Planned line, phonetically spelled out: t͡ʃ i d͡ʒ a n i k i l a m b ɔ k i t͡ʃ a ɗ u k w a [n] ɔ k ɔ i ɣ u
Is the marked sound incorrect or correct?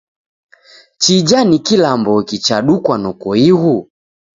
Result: correct